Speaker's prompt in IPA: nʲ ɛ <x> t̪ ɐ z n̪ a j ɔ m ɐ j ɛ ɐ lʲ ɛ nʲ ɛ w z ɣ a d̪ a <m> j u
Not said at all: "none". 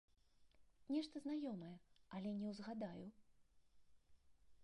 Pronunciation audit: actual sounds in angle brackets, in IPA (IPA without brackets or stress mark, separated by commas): ʂ, none